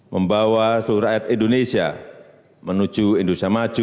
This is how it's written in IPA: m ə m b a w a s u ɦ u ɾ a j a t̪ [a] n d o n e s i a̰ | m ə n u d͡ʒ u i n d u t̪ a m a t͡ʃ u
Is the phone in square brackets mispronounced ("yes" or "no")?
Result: yes